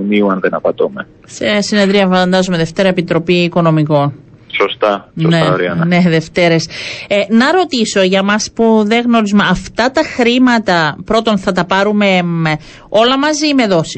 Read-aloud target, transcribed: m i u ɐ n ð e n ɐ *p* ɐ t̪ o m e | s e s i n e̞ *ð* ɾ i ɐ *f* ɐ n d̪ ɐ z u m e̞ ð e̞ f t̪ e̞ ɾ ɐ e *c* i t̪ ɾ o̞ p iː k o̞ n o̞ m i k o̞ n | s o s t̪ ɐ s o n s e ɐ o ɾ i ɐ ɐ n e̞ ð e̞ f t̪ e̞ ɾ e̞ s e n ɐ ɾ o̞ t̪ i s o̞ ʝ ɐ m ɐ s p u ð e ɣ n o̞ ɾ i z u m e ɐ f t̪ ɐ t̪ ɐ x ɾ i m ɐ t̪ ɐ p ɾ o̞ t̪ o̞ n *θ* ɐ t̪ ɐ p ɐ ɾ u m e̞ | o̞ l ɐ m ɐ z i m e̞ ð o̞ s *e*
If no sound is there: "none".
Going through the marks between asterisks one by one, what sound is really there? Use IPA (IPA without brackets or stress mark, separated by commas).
p, ð, f, p, θ, i